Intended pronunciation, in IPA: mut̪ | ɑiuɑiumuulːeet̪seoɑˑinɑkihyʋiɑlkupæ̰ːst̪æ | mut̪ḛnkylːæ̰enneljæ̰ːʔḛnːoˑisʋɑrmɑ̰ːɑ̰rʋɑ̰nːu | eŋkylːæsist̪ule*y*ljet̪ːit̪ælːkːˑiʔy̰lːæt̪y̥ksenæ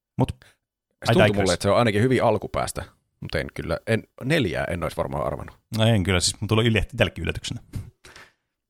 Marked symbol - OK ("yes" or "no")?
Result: yes